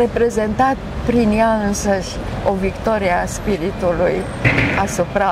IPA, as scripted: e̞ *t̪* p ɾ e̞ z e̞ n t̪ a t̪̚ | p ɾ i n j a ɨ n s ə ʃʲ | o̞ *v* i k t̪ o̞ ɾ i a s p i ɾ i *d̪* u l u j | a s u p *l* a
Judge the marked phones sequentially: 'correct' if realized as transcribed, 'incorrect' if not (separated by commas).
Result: incorrect, correct, incorrect, incorrect